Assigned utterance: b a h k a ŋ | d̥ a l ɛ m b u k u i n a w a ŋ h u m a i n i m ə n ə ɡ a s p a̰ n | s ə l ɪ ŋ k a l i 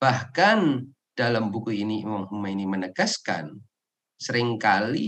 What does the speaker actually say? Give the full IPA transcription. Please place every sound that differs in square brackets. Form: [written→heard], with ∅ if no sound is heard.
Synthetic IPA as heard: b a h k a [ŋ→n] | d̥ a l [ɛ→a] m b u k u i n [a→i] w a ŋ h u m a i n i m ə n ə ɡ a s [p→k] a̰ n | s ə [l→ɾ] ɪ ŋ k a l i